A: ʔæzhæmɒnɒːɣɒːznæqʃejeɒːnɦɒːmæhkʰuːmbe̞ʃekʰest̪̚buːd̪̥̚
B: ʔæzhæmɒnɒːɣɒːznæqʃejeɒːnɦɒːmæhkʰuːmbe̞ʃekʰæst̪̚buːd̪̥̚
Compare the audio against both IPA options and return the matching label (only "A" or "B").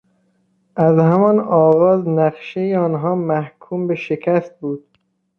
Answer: B